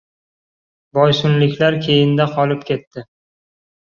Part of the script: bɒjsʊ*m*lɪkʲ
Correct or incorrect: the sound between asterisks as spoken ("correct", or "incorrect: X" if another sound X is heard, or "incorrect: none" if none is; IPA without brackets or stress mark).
incorrect: n